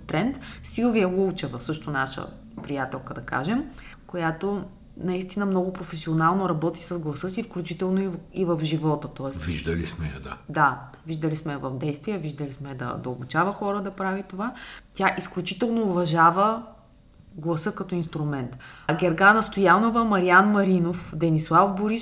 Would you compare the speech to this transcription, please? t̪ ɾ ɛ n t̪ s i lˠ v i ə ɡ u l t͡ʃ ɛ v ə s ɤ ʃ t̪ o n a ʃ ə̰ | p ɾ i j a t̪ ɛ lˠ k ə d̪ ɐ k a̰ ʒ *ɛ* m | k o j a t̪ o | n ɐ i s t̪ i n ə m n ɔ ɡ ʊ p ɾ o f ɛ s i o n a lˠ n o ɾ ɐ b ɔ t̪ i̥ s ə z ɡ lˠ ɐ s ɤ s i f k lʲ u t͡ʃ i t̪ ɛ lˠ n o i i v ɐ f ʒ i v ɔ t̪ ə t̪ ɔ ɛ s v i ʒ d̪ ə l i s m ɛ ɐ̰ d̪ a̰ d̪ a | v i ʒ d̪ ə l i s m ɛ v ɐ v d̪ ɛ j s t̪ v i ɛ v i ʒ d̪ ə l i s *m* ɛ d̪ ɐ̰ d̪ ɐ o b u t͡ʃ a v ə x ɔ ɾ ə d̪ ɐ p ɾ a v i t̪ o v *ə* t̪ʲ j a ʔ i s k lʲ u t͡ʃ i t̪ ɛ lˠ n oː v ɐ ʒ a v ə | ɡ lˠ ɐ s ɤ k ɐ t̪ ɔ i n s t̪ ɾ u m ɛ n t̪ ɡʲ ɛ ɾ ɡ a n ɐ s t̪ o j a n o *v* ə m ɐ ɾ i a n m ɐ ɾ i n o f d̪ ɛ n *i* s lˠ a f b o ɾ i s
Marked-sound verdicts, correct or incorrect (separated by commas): correct, correct, incorrect, correct, correct